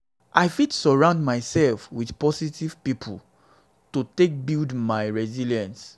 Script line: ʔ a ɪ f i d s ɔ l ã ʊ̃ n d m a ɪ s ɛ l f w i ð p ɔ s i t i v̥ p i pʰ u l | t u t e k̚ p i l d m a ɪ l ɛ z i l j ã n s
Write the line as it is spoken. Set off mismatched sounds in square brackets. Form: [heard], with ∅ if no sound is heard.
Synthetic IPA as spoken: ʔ a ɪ f i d s ɔ [ɹ] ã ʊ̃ n d m a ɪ s ɛ l f w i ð p ɔ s i t i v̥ p i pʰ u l | t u t e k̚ [b] i l d m a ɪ [ɹ] ɛ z i l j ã n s